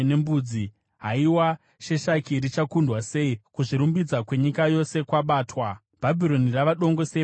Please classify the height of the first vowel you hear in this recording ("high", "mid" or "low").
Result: mid